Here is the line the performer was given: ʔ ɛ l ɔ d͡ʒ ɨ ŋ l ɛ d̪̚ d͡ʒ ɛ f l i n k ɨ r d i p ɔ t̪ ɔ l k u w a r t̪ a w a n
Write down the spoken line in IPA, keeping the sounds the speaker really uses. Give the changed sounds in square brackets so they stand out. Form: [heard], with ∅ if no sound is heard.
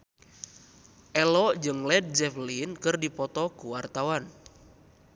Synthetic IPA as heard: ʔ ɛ l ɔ d͡ʒ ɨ ŋ l ɛ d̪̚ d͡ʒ ɛ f l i n k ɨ r d i p ɔ t̪ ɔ [∅] k u w a r t̪ a w a n